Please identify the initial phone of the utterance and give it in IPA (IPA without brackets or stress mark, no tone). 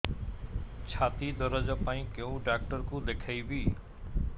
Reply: t͡ɕʰ